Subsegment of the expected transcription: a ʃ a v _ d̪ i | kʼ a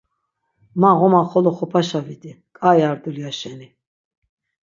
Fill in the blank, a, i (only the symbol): i